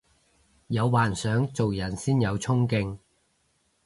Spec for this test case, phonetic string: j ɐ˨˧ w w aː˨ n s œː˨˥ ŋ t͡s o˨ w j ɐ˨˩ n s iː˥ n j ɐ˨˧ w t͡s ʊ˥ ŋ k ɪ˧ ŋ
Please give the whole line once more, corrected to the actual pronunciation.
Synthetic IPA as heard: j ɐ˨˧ w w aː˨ n s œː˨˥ ŋ t͡s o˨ w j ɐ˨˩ n s iː˥ n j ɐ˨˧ w t͡sʰ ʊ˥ ŋ k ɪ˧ ŋ

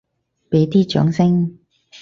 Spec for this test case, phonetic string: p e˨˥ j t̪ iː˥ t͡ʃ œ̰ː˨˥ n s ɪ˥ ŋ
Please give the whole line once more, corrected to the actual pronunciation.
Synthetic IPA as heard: p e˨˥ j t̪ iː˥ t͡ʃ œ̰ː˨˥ ŋ s ɪ˥ ŋ

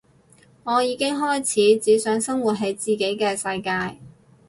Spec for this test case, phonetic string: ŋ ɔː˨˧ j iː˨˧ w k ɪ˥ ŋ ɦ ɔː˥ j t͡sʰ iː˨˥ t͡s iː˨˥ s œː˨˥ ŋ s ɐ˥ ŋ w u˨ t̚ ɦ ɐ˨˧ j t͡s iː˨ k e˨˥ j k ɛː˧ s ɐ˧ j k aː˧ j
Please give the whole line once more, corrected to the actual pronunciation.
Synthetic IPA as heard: ŋ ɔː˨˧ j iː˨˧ k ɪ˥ ŋ ɦ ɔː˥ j t͡sʰ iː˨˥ t͡s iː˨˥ s œː˨˥ ŋ s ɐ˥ ŋ w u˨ t̚ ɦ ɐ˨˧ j t͡s iː˨ k e˨˥ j k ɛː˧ s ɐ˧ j k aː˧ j

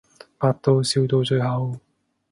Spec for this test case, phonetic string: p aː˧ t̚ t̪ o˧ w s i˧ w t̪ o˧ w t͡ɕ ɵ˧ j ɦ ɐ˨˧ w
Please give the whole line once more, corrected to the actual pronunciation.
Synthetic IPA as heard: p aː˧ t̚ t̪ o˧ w s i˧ w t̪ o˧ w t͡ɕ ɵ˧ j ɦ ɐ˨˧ w

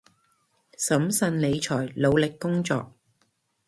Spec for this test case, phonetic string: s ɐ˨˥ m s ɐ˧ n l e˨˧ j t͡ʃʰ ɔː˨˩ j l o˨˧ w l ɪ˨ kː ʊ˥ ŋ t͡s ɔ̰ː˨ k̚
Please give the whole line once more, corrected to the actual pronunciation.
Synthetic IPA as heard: s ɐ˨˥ m s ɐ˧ n l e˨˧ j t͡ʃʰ ɔː˨˩ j l o˨˧ w l ɪ˨ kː ʊ˥ ŋ t͡s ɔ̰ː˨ k̚

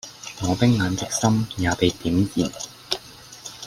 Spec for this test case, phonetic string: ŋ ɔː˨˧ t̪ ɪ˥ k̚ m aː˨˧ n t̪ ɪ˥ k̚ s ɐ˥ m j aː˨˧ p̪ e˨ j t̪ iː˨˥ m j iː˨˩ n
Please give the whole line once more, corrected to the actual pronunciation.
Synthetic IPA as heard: ŋ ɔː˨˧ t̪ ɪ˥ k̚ ŋ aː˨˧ n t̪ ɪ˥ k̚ s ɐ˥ m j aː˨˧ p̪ e˨ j t̪ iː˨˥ m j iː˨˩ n

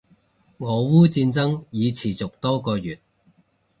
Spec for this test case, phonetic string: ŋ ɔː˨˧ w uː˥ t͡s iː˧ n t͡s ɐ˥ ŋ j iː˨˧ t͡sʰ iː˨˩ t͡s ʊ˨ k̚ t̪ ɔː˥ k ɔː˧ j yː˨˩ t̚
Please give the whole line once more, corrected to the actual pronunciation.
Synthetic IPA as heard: ŋ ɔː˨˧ w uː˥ t͡s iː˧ n t͡s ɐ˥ ŋ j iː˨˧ t͡sʰ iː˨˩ t͡s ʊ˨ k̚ t̪ ɔː˥ k ɔː˧ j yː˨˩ t̚

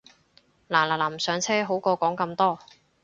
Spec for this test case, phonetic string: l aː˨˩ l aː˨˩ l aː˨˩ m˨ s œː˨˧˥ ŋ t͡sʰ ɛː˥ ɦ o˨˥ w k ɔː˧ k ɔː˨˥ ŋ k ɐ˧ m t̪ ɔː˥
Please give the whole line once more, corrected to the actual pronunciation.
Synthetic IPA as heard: l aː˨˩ l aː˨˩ l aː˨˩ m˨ s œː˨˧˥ ŋ t͡sʰ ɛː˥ ɦ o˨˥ w k ɔː˧ k ɔː˨˥ ŋ k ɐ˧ m t̪ ɔː˥

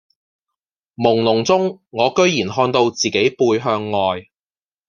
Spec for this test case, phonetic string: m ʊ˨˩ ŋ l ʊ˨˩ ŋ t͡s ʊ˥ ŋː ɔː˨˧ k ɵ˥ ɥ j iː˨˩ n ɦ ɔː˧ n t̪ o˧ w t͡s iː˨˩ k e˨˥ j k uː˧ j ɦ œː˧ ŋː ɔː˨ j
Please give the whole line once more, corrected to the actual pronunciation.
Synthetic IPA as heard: m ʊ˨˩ ŋ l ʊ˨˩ ŋ t͡s ʊ˥ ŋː ɔː˨˧ k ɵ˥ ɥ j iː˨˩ n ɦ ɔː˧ n t̪ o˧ w t͡s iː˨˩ k e˨˥ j p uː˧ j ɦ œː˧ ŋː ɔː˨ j

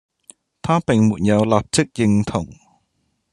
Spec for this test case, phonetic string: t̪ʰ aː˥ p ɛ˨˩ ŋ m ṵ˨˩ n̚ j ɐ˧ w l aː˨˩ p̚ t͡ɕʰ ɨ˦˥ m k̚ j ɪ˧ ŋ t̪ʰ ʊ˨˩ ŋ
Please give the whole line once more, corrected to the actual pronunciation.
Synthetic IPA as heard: t̪ʰ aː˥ p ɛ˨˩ ŋ m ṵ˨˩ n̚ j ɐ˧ w l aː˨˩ p̚ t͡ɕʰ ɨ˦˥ k̚ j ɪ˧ ŋ t̪ʰ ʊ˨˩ ŋ

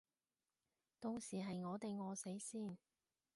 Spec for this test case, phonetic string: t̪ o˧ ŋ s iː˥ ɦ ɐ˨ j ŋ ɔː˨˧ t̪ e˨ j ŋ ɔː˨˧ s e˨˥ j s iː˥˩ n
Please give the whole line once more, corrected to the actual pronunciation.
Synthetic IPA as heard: t̪ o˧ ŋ s iː˨˩ ɦ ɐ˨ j ŋ ɔː˨˧ t̪ e˨ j ŋ ɔː˨˧ s e˨˥ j s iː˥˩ n

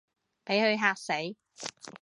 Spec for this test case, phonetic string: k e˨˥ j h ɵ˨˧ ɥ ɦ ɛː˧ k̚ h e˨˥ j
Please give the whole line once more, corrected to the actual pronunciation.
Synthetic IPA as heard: p e˨˥ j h ɵ˨˧ ɥ ɦ aː˧ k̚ s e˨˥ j

